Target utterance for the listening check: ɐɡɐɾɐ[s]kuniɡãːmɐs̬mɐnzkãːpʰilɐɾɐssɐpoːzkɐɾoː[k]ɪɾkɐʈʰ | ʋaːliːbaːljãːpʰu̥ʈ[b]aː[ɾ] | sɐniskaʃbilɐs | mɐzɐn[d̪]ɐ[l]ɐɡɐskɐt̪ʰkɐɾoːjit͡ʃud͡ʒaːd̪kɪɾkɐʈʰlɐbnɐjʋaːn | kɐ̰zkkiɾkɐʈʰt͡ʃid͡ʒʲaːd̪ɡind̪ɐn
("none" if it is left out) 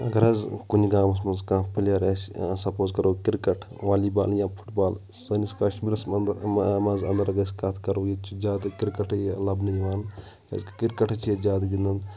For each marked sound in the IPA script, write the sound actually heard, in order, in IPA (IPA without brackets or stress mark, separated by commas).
z, k, b, l, d̪, ɾ